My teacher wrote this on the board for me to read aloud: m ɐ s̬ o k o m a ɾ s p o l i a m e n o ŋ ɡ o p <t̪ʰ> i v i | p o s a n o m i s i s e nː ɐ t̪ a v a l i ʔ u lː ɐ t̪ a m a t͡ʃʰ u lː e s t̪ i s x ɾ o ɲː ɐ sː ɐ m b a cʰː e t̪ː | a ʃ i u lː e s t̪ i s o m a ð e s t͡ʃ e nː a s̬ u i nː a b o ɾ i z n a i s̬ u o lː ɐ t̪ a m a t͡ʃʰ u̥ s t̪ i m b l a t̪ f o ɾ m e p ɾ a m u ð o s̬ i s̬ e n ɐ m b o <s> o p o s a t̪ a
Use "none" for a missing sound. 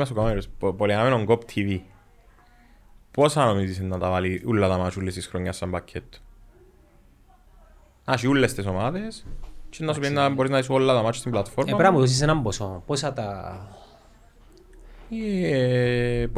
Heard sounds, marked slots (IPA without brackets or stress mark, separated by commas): t̪ʰ, s